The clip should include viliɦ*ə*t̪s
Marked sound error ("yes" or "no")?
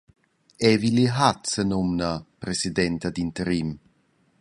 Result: yes